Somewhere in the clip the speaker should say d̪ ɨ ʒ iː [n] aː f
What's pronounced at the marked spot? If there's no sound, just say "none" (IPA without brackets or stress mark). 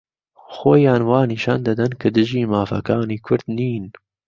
m